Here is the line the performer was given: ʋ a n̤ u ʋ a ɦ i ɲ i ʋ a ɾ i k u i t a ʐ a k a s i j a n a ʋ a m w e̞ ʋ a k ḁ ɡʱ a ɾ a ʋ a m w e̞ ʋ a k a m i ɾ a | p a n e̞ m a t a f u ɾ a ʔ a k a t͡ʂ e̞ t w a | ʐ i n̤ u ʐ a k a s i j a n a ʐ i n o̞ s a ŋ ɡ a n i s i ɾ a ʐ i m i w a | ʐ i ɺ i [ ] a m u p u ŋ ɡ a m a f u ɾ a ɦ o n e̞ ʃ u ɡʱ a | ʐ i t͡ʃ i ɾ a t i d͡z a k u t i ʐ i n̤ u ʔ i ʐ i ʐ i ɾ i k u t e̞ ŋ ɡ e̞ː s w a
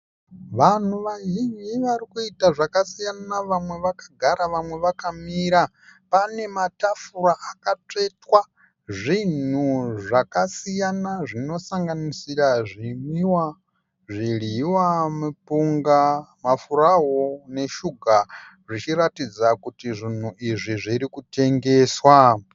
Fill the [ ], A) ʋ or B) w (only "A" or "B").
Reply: B